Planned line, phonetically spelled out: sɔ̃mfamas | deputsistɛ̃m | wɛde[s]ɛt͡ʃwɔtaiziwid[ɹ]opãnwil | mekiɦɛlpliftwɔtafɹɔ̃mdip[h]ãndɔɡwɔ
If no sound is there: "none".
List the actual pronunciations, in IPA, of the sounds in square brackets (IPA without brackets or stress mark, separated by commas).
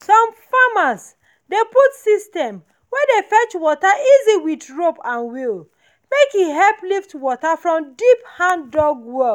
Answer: f, ɹ, h